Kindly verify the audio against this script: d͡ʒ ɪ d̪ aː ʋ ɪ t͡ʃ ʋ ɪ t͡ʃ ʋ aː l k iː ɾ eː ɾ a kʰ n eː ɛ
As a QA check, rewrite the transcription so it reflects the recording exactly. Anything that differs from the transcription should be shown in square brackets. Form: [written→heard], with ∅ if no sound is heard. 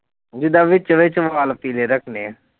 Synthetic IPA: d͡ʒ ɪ d̪ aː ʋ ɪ t͡ʃ ʋ ɪ t͡ʃ ʋ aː l [k→p] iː [ɾ→l] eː ɾ [a→ə] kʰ n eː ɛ